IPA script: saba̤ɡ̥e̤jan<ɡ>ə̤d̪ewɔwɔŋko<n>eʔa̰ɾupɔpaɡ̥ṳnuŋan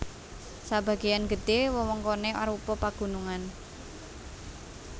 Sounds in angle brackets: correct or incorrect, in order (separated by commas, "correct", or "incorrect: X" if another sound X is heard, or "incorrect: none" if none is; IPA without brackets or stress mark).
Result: correct, correct